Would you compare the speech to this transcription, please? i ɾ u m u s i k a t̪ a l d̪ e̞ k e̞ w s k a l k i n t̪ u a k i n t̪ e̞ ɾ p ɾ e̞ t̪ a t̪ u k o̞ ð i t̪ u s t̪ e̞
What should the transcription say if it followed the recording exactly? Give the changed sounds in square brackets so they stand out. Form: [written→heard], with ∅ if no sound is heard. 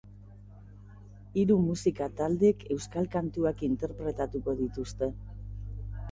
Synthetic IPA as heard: i ɾ u m u s i k a t̪ a l d̪ e̞ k e̞ w s k a l k [i→a] n t̪ u a k i n t̪ e̞ ɾ p ɾ e̞ t̪ a t̪ u k o̞ ð i t̪ u s t̪ e̞